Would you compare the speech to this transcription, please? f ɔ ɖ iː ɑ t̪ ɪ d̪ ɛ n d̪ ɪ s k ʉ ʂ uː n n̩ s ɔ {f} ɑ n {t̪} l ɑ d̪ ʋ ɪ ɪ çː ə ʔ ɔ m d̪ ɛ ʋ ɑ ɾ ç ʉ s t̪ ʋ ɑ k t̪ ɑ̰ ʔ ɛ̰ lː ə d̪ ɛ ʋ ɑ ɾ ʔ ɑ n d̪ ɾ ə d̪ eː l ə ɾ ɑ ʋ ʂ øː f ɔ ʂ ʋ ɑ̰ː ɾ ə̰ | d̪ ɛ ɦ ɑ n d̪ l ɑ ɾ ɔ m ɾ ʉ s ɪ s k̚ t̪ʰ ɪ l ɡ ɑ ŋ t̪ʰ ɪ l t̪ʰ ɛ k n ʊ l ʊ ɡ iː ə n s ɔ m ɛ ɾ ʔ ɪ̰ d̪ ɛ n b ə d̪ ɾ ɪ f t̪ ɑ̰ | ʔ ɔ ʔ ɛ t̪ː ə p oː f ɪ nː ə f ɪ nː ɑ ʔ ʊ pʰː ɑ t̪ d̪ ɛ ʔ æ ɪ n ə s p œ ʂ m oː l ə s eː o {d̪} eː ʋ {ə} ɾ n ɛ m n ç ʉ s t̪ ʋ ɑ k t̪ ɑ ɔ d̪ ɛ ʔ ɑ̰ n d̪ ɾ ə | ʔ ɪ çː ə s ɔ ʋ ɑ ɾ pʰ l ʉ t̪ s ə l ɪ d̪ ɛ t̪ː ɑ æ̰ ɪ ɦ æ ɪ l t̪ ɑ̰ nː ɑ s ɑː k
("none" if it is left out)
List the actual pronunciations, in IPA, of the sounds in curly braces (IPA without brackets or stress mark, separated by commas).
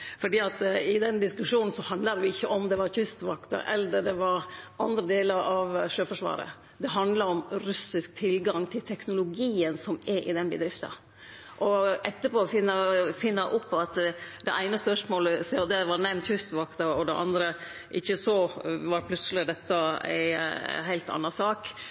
h, d̪, d̪, ɑ